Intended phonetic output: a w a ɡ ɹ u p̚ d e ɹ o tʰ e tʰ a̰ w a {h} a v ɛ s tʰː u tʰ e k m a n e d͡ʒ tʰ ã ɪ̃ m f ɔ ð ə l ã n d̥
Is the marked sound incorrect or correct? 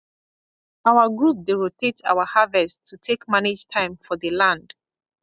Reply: correct